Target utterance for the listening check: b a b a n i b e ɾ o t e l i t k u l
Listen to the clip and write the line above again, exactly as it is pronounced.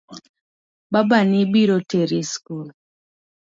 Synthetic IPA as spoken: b a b a n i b i ɾ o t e ɾ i s k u l